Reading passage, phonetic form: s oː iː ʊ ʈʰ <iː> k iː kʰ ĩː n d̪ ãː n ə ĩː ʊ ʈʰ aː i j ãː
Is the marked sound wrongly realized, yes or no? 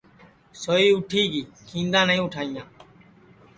no